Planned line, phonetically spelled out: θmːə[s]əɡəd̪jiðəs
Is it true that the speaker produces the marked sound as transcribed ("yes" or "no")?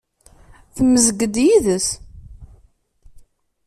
no